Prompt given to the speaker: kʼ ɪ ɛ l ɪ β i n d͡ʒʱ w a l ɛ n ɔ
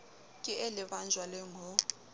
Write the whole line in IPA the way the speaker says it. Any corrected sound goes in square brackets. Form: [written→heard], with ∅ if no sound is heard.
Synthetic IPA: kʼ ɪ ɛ l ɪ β [i→a] n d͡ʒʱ w a l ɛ [n→ŋ] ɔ